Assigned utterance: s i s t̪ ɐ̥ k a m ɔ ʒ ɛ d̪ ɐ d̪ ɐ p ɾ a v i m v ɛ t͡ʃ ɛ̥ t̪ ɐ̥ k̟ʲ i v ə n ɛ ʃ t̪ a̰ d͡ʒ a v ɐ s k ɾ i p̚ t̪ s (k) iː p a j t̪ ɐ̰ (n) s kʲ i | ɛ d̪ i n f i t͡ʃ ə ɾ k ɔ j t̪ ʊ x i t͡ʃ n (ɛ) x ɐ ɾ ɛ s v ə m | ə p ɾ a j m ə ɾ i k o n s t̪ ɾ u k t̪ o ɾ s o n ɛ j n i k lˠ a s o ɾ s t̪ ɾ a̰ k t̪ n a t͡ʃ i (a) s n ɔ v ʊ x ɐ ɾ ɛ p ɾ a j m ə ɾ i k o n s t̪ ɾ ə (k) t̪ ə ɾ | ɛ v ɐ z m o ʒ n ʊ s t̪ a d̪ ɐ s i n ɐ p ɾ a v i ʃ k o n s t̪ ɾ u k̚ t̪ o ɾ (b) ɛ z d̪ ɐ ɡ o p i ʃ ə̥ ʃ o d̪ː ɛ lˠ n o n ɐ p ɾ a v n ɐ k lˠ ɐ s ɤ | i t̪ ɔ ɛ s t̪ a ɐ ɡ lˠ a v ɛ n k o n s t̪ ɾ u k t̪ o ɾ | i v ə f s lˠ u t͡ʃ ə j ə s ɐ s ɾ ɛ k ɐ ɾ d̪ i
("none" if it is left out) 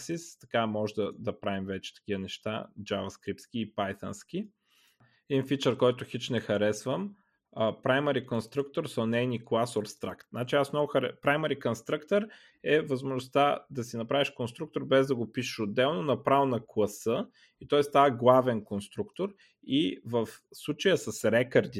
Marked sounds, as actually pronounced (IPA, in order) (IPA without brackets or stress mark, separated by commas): k, n, ɛ, a, k, b